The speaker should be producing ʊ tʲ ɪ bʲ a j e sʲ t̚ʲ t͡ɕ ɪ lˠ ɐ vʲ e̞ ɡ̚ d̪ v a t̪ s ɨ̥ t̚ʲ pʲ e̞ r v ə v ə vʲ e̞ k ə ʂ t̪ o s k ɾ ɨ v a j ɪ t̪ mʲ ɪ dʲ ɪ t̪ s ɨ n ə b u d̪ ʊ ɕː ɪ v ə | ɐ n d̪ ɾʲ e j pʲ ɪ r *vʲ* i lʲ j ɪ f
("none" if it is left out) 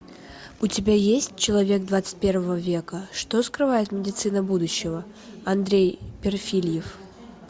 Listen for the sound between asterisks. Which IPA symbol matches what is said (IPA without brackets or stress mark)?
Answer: fʲ